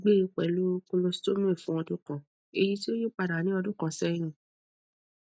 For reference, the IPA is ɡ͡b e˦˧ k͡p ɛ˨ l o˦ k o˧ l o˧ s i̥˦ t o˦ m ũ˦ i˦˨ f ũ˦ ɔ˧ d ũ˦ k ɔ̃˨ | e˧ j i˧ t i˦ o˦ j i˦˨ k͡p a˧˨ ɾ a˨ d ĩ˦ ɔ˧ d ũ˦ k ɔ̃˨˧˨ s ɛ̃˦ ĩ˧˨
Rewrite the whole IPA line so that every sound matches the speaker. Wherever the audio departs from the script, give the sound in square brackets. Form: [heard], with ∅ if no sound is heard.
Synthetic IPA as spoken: ɡ͡b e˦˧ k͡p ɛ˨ l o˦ k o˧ l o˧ s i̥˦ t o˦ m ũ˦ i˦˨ f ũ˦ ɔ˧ d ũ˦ k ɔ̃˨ | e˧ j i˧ t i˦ o˦ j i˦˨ k͡p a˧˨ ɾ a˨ [n] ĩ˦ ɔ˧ d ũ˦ k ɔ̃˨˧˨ s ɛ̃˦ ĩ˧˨